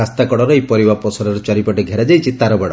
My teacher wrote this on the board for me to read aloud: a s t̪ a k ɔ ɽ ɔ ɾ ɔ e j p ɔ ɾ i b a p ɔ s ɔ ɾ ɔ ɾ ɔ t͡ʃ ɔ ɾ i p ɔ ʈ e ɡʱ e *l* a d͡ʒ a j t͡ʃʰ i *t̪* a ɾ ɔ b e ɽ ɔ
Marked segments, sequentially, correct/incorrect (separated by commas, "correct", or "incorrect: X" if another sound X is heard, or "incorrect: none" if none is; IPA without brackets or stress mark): incorrect: ɾ, correct